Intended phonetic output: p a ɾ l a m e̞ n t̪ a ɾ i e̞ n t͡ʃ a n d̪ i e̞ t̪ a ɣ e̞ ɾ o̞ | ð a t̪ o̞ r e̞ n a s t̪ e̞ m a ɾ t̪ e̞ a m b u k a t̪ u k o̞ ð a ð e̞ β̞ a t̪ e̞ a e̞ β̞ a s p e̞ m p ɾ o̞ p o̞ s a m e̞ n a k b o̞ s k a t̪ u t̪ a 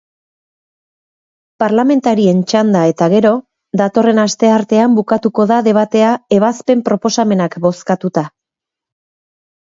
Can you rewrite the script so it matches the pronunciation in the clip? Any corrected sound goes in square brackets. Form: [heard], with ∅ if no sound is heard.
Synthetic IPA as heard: p a ɾ l a m e̞ n t̪ a ɾ i e̞ n t͡ʃ a n d̪ [a] e̞ t̪ a ɣ e̞ ɾ o̞ | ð a t̪ o̞ r e̞ n a s t̪ e̞ [∅] a ɾ t̪ e̞ a m b u k a t̪ u k o̞ ð a ð e̞ β̞ a t̪ e̞ a e̞ β̞ a s p e̞ m p ɾ o̞ p o̞ s a m e̞ n a k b o̞ s k a t̪ u t̪ a